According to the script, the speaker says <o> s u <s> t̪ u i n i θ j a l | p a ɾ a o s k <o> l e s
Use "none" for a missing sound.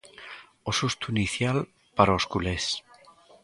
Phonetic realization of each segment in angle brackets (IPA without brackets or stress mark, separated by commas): o, s, u